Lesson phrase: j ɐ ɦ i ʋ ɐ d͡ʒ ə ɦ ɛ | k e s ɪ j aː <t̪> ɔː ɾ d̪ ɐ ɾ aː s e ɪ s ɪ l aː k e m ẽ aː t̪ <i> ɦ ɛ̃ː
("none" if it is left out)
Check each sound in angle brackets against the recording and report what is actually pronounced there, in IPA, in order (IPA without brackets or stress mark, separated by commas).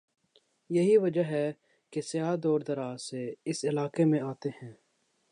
d̪, e